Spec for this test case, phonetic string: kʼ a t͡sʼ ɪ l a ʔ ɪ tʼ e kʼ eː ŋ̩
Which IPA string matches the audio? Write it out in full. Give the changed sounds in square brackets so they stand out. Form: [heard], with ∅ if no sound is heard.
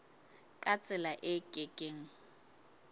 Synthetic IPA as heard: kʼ a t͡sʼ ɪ l a ʔ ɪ [kʼ] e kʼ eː ŋ̩